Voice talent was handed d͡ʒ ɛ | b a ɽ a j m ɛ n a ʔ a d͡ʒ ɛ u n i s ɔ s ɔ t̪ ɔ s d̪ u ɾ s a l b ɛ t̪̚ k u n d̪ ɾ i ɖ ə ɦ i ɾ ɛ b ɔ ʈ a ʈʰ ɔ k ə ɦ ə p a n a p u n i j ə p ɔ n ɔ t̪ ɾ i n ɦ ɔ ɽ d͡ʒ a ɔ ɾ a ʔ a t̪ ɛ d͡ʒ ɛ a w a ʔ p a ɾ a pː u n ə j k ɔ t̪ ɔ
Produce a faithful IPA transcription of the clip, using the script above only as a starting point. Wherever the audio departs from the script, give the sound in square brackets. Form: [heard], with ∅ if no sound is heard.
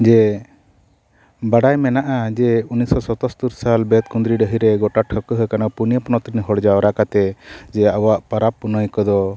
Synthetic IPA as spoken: d͡ʒ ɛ | b a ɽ a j m ɛ n a ʔ a d͡ʒ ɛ u n i s ɔ s ɔ t̪ ɔ s [t̪] u ɾ s a l b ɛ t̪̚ k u n d̪ ɾ i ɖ ə ɦ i ɾ ɛ [ɡ] ɔ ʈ a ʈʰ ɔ k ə ɦ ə [k] a n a p u n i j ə p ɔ n ɔ t̪ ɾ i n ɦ ɔ ɽ d͡ʒ a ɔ ɾ a [k] a t̪ ɛ d͡ʒ ɛ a w a ʔ p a ɾ a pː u n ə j k ɔ [d̪] ɔ

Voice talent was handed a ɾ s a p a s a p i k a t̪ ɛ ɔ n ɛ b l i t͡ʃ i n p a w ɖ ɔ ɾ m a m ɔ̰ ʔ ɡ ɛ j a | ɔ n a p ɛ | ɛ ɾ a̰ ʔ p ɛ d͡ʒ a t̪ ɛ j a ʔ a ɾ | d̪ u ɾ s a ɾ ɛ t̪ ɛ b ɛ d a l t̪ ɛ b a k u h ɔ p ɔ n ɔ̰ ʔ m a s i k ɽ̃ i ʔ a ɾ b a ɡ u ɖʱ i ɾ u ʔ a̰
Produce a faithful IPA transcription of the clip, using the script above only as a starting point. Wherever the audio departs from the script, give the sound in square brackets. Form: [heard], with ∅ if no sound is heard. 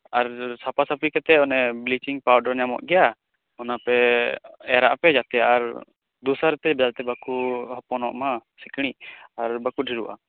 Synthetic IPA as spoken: a ɾ s a p a s a p i k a t̪ ɛ ɔ n ɛ b l i t͡ʃ i [ŋ] p a w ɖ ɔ ɾ [ɲ] a m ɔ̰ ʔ ɡ ɛ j a | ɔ n a p ɛ | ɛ ɾ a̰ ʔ p ɛ d͡ʒ a t̪ ɛ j a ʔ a ɾ | d̪ u [∅] s a ɾ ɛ t̪ ɛ b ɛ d a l t̪ ɛ b a k u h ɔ p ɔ n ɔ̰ ʔ m a s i k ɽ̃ i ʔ a ɾ b a [k] u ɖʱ i ɾ u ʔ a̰

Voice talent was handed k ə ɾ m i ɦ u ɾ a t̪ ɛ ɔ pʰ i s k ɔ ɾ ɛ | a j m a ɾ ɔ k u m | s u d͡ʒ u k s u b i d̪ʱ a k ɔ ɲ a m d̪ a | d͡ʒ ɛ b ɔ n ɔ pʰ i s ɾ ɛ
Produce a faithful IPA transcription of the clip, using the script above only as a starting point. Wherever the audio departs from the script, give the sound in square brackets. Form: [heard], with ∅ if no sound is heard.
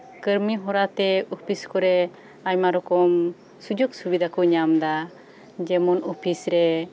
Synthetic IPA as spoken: k ə ɾ m i ɦ [ɔ] ɾ a t̪ ɛ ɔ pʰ i s k ɔ ɾ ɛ | a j m a ɾ ɔ k [ɔ] m | s u d͡ʒ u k s u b i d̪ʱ a k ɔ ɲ a m d̪ a | d͡ʒ ɛ [m] ɔ n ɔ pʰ i s ɾ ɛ

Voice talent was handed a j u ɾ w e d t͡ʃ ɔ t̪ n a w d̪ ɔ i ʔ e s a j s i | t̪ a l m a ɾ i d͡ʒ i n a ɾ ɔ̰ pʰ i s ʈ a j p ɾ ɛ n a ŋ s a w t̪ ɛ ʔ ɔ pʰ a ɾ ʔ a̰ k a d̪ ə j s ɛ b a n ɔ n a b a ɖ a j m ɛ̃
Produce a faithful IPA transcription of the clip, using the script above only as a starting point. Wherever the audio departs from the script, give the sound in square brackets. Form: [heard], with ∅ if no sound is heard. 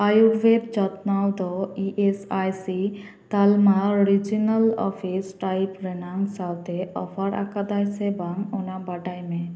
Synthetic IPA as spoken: a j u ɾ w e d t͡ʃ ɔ t̪ n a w d̪ ɔ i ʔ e s a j s i | t̪ a l m a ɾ i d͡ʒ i n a [l] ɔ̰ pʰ i s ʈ a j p ɾ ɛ n a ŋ s a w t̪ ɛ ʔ ɔ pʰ a ɾ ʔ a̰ k a d̪ [a] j s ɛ b a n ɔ n a b a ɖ a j m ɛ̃

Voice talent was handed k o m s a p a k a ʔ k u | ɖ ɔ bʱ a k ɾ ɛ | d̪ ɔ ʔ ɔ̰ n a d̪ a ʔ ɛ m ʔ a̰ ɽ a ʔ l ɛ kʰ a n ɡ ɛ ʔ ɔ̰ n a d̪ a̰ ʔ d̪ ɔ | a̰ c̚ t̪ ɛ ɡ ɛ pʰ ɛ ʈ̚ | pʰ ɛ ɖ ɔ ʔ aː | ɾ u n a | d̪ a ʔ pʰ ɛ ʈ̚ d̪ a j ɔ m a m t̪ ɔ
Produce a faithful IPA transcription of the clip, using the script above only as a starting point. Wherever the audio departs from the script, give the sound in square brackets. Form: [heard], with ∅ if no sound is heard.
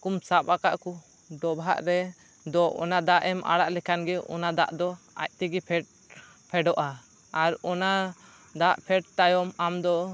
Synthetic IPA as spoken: k [u] m s a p a k a ʔ k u | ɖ ɔ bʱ a [ʔ] ɾ ɛ | d̪ ɔ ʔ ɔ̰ n a d̪ a ʔ ɛ m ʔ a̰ ɽ a ʔ l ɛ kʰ a n ɡ ɛ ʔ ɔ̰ n a d̪ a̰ ʔ d̪ ɔ | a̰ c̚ t̪ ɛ ɡ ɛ pʰ ɛ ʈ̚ | pʰ ɛ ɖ ɔ ʔ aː | ɾ [ɔ] n a | d̪ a ʔ pʰ ɛ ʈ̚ [t̪] a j ɔ m a m [d̪] ɔ

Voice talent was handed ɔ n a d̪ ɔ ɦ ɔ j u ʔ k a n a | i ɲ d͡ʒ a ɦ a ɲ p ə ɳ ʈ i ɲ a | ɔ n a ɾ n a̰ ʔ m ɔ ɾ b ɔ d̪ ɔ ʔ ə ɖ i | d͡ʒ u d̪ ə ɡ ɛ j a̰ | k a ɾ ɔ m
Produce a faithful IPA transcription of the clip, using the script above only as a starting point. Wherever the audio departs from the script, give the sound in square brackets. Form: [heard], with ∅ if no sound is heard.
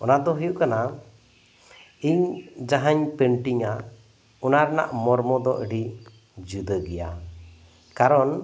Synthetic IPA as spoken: ɔ n a d̪ ɔ ɦ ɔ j u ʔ k a n a | i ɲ d͡ʒ a ɦ a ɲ p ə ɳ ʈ i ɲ a | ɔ n a ɾ n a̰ ʔ m ɔ ɾ [m] ɔ d̪ ɔ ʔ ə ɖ i | d͡ʒ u d̪ ə ɡ ɛ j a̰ | k a ɾ ɔ [n]

